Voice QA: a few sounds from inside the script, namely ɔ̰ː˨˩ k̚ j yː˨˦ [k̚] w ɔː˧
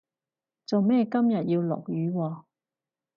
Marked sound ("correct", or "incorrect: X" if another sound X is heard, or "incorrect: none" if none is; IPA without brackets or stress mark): incorrect: none